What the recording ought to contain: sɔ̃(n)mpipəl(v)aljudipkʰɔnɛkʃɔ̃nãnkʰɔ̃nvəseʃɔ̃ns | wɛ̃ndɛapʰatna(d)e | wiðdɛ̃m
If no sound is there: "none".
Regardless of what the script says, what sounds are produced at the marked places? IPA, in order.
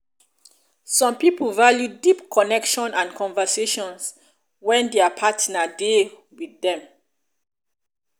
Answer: none, v, d

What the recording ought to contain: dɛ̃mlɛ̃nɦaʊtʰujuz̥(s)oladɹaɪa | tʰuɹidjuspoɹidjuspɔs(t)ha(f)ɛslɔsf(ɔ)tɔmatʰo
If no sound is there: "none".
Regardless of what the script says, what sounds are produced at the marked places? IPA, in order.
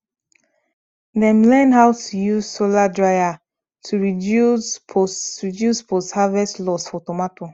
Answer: s, t, v, ɔ

